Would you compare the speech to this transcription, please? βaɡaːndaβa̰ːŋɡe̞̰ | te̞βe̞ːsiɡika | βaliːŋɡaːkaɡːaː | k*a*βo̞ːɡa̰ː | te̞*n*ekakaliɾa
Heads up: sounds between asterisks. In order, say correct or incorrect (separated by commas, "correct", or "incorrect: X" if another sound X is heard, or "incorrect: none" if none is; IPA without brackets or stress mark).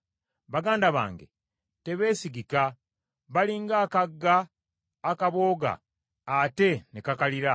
correct, correct